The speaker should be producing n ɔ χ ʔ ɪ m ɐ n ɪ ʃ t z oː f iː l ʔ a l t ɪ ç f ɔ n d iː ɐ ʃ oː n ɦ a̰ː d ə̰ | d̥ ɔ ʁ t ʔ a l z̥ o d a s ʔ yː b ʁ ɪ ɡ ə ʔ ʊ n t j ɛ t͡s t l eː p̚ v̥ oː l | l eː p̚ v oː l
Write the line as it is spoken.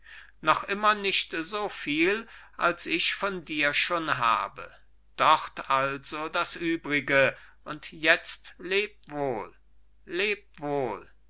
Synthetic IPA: n ɔ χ ʔ ɪ m ɐ n ɪ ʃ t z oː f iː l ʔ a l s ɪ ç f ɔ n d iː ɐ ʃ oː n ɦ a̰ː b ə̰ | d̥ ɔ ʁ t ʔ a l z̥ o d a s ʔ yː b ʁ ɪ ɡ ə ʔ ʊ n t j ɛ t͡s t l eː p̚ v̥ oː l | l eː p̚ v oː l